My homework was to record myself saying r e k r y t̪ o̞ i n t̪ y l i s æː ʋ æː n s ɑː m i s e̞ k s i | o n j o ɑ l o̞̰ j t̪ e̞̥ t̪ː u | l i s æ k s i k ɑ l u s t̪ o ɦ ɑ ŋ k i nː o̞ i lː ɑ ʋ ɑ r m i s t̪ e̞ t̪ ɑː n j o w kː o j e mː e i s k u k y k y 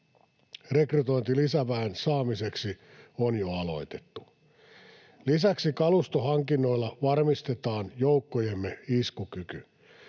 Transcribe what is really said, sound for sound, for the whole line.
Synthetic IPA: r e k r y t̪ o̞ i n t̪ i l i s æ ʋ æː n s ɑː m i s e̞ k s i | o n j o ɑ l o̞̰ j t̪ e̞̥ t̪ː u | l i s æ k s i k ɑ l u s t̪ o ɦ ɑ ŋ k i nː o̞ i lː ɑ ʋ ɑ r m i s t̪ e̞ t̪ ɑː n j o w kː o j e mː e i s k u k y k y